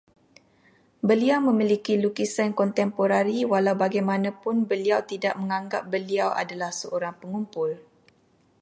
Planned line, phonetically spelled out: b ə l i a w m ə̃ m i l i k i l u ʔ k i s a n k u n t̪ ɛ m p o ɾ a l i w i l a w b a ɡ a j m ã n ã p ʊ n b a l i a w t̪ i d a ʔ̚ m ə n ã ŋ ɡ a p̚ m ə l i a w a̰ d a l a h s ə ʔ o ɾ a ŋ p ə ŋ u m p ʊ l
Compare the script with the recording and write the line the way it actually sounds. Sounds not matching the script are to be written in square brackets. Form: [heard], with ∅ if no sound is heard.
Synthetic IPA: b ə l i a w m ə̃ m i l i k i l u [∅] k i s a n k [ɔ] n t̪ ɛ m p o ɾ a [ɾ] i w [a] l a w b a ɡ a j m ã n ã p ʊ n b [ə] l i a w t̪ i d a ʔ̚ m ə [ŋ] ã ŋ ɡ a p̚ [b] ə l i a w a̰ d a l a h s ə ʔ o ɾ a ŋ p ə ŋ u m p ʊ l